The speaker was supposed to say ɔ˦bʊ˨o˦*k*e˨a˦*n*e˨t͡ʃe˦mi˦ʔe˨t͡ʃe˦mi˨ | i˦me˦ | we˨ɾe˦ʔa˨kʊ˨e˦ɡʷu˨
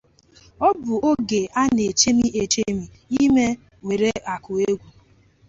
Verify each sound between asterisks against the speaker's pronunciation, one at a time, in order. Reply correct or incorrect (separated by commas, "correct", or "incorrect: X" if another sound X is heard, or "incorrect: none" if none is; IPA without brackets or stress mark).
incorrect: ɡ, correct